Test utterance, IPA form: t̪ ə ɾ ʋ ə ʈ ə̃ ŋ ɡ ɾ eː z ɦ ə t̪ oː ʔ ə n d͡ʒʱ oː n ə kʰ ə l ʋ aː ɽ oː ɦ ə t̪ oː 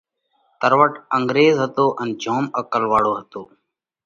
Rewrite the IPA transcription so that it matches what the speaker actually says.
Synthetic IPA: t̪ ə ɾ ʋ ə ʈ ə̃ ŋ ɡ ɾ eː z ɦ ə t̪ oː ʔ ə n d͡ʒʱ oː m ə k ə l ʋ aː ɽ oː ɦ ə t̪ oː